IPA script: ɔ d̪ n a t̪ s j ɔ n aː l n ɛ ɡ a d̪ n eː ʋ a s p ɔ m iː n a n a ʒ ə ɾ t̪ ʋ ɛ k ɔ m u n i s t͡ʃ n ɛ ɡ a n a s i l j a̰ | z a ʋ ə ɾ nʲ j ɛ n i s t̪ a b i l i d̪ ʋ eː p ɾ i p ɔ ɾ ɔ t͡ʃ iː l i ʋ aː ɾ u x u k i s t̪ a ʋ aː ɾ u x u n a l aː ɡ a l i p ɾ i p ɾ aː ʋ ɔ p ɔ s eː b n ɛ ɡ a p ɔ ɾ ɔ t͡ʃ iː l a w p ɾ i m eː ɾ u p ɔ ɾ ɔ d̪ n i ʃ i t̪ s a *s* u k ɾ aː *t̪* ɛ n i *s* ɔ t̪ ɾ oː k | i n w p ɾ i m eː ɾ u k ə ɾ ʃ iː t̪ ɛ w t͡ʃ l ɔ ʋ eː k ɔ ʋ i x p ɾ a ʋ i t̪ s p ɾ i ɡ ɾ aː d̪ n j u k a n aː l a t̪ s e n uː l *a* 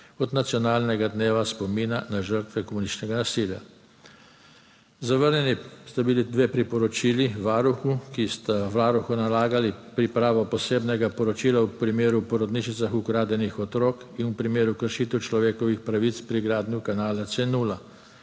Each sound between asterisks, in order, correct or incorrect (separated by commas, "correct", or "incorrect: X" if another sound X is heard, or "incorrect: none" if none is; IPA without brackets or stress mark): incorrect: x, incorrect: d̪, incorrect: x, correct